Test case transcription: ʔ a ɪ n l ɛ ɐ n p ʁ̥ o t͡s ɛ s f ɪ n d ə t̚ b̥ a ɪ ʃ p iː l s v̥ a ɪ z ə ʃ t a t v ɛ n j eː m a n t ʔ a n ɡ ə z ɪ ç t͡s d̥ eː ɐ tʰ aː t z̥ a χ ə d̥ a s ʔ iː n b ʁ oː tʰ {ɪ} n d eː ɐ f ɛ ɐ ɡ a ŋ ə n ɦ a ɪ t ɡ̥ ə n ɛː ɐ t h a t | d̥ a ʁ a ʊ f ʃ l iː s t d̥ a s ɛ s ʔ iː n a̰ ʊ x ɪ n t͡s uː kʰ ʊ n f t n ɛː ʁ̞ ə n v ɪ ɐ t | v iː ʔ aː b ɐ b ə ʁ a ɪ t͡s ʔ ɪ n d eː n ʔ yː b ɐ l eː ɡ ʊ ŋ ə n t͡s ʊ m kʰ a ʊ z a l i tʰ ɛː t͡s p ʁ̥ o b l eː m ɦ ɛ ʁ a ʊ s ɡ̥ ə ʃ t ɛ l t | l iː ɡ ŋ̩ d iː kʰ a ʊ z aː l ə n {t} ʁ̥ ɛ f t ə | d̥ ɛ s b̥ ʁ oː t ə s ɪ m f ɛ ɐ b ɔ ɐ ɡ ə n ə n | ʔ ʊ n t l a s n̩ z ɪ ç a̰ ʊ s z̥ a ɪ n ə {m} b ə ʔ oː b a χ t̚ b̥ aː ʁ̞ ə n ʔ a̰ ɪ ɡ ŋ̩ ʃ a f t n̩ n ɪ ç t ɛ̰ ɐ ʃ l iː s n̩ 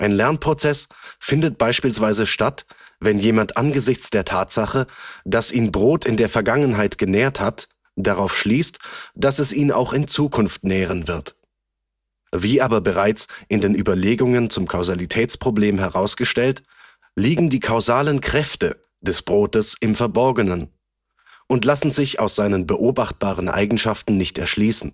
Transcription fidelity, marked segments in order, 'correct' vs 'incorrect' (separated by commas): correct, incorrect, incorrect